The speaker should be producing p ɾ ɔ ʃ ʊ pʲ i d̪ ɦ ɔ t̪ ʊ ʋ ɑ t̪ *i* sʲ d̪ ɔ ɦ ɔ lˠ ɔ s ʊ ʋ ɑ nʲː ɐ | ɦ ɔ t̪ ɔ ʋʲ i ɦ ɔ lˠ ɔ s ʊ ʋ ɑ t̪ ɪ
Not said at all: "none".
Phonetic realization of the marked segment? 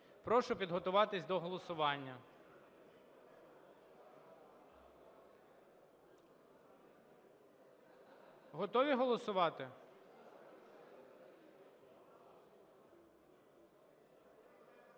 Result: ɪ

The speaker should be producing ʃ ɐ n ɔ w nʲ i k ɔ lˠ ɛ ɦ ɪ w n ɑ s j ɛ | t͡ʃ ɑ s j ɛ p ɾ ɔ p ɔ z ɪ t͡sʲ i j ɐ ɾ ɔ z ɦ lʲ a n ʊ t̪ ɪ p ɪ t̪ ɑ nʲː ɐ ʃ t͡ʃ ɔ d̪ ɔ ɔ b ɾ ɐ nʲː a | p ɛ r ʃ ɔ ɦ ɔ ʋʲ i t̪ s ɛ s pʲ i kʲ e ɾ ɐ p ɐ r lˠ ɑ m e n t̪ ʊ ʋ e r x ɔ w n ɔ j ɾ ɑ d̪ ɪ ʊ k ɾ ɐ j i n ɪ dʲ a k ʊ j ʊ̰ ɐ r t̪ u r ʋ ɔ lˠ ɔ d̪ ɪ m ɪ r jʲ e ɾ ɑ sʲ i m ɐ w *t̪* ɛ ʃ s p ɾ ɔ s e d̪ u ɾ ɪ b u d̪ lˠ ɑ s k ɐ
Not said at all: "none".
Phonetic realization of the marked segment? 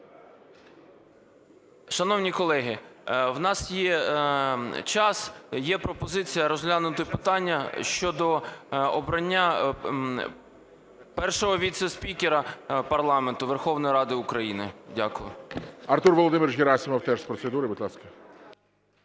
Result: t̪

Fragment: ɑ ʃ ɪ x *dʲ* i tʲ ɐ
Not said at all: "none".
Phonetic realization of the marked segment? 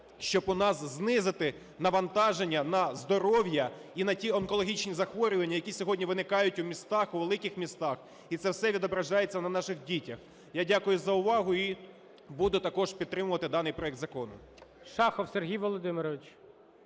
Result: dʲ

